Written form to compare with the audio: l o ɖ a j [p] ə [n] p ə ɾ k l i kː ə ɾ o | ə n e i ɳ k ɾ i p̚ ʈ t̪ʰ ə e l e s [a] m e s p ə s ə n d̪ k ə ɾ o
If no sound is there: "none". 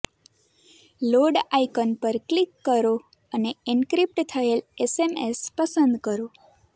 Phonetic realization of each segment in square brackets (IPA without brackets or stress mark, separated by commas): k, n, e